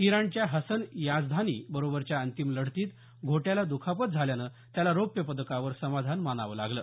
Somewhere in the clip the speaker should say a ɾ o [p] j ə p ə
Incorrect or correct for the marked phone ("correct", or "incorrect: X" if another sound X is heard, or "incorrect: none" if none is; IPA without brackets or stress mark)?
correct